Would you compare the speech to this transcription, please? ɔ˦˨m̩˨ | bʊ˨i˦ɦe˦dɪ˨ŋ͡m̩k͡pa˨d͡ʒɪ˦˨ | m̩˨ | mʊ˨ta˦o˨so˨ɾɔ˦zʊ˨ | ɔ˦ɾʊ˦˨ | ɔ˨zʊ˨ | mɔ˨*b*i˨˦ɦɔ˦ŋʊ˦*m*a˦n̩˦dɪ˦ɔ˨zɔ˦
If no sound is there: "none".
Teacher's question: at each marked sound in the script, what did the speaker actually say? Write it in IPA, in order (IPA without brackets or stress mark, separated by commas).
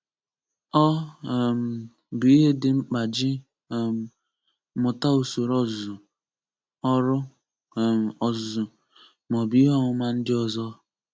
b, m